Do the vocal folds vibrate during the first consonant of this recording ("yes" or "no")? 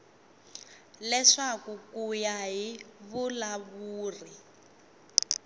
yes